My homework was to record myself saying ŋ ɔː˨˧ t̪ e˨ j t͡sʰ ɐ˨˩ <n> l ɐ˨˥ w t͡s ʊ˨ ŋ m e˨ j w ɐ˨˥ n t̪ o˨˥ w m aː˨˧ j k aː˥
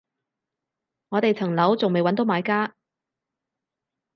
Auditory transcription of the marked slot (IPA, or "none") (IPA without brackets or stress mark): ŋ